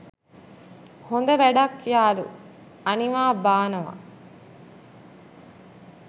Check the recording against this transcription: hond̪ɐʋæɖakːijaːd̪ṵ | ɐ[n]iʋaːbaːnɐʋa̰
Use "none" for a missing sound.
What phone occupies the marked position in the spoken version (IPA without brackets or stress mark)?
n